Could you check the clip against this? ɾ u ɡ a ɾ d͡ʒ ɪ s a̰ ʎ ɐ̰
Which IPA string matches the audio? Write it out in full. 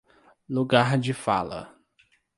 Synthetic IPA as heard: l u ɡ a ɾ d͡ʒ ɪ f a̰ l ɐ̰